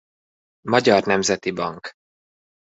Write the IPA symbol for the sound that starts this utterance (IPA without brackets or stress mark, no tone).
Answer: m